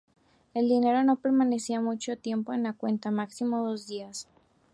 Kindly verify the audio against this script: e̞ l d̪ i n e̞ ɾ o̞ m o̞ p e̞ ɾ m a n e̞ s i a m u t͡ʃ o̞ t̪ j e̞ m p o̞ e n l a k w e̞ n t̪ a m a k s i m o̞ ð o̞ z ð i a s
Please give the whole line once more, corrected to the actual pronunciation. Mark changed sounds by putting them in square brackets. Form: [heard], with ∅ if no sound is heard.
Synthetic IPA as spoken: e̞ l d̪ i n e̞ ɾ o̞ [n] o̞ p e̞ ɾ m a n e̞ s i a m u t͡ʃ o̞ t̪ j e̞ m p o̞ e n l a k w e̞ n t̪ a m a k s i m o̞ ð o̞ z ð i a s

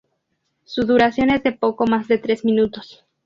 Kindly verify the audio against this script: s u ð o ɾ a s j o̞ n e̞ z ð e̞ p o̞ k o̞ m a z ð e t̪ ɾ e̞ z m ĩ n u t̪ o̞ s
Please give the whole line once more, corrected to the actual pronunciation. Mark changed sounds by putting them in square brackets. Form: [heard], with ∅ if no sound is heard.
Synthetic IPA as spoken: s u ð [u] ɾ a s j o̞ n e̞ z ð e̞ p o̞ k o̞ m a z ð e t̪ ɾ e̞ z m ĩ n u t̪ o̞ s

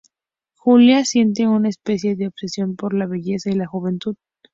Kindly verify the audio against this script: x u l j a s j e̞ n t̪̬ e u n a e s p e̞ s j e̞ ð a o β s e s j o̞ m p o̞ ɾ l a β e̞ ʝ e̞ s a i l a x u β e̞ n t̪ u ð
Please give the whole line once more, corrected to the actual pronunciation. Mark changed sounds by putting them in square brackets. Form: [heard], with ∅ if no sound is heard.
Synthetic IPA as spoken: x u l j a s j e̞ n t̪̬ e u n a e s p e̞ s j e̞ ð [e] o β s e s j o̞ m p o̞ ɾ l a β e̞ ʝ e̞ s a i l a x u β e̞ n t̪ u ð

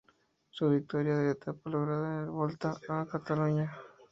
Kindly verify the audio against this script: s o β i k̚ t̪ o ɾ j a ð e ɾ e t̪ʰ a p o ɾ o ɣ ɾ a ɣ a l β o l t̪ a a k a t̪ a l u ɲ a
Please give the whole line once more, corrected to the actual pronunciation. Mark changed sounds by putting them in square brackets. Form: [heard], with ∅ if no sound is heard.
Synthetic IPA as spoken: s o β i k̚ t̪ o ɾ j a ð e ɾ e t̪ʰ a p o [l] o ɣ ɾ a [ð] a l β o l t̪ a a k a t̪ a l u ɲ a

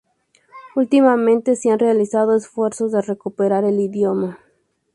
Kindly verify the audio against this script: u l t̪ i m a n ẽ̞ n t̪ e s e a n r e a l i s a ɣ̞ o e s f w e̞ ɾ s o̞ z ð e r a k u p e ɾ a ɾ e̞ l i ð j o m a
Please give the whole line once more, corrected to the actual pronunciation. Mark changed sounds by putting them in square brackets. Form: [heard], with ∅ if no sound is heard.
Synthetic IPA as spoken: u l t̪ i m a [m] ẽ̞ n t̪ e s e a n r e a l i s a [ð̞] o e s f w e̞ ɾ s o̞ z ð e r [e] k u p e ɾ a ɾ e̞ l i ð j o m a

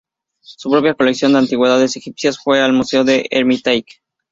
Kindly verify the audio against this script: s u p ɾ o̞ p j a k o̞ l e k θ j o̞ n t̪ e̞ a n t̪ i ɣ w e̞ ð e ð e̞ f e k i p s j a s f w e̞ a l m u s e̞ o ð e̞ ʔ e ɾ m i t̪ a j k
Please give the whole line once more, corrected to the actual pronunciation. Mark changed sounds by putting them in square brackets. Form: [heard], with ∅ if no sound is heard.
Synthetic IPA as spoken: s u p ɾ o̞ p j a k o̞ l e k [s] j o̞ n [d̪] e̞ a n t̪ i ɣ w e̞ ð [a] ð e̞ [s] e [x] i p s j a s f w e̞ a l m u s e̞ o ð e̞ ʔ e ɾ m i t̪ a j k

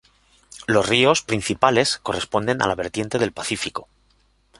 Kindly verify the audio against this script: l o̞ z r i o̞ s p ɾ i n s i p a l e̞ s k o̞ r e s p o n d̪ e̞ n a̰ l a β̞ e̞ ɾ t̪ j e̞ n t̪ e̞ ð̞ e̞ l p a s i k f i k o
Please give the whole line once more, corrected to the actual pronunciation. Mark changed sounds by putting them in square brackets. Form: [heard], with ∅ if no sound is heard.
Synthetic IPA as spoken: l o̞ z r i o̞ s p ɾ i n [θ] i p a l e̞ s k o̞ r e s p o n d̪ e̞ n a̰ l a β̞ e̞ ɾ t̪ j e̞ n t̪ e̞ ð̞ e̞ l p a [θ] i [∅] f i k o

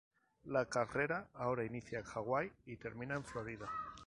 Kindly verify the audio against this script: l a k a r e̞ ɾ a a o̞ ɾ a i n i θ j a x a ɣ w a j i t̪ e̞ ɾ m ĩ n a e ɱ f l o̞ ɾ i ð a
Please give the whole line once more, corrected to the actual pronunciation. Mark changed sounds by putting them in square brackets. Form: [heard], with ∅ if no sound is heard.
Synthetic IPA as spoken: l a k a r e̞ ɾ a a o̞ ɾ a i n i θ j a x a ɣ w a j i t̪ e̞ ɾ m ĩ n a e ɱ f l o̞ ɾ i ð a

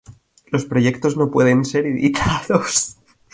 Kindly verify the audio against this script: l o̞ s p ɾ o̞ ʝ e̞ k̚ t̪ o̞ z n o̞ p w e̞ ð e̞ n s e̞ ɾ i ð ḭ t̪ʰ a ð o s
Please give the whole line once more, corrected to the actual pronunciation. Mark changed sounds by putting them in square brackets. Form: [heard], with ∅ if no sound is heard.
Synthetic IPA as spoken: l o̞ s p ɾ o̞ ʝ e̞ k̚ t̪ o̞ z n o̞ p w e̞ ð e̞ n s e̞ ɾ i ð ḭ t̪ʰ a ð o s

